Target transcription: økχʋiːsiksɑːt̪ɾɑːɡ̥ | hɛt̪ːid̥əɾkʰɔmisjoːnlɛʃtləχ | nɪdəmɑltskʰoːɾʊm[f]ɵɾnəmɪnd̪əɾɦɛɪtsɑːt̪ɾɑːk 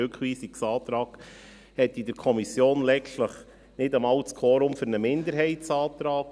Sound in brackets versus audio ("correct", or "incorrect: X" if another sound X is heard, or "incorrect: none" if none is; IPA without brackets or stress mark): correct